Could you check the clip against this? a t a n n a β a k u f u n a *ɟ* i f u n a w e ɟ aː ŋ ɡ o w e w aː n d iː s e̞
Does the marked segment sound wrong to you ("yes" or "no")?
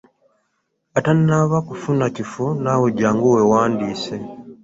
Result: yes